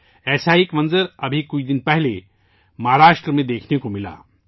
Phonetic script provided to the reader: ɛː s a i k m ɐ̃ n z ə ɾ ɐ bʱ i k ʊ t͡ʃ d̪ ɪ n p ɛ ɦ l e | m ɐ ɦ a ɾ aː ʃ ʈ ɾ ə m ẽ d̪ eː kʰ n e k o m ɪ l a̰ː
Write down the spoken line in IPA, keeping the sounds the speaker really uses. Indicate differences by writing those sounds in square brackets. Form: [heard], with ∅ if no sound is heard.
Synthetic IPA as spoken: ɛː s a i k m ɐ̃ n z ə ɾ ɐ bʱ i k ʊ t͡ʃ d̪ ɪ n p ɛ ɦ l e | m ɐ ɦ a ɾ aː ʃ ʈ ɾ ə m ẽ d̪ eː kʰ n e k o m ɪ l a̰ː